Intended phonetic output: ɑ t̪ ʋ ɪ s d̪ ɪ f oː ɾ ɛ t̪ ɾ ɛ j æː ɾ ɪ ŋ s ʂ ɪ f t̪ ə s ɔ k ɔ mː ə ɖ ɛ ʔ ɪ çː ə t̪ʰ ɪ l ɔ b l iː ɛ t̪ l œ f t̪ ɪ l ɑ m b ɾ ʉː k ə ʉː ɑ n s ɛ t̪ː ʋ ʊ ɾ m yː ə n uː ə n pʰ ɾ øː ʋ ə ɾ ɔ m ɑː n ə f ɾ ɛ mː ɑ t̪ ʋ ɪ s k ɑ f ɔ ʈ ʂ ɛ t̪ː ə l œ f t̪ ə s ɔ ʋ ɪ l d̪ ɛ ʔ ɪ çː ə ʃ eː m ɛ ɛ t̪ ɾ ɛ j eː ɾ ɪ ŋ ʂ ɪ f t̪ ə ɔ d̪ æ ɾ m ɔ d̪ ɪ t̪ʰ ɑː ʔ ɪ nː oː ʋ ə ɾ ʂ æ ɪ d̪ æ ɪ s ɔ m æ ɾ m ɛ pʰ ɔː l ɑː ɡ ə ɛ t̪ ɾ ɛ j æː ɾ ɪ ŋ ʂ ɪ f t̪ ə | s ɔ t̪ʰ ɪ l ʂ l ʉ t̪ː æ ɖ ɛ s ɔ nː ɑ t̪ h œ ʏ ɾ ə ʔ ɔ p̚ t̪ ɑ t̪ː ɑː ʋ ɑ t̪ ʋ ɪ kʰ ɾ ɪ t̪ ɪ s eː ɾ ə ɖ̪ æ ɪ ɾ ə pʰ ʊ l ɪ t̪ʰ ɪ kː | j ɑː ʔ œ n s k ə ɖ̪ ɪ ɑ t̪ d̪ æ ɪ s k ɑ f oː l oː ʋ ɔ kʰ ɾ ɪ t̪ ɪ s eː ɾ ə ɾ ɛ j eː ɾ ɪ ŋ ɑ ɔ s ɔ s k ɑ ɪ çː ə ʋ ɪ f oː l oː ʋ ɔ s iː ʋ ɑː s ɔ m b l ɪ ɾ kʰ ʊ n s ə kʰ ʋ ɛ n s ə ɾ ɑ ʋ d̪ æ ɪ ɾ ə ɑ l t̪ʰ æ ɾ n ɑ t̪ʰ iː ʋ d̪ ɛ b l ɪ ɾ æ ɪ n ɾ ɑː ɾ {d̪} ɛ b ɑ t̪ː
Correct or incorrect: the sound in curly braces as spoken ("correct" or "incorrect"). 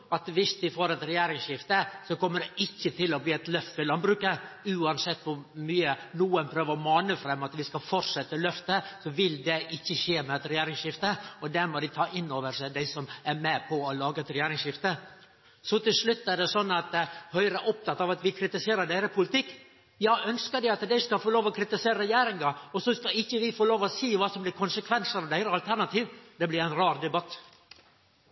correct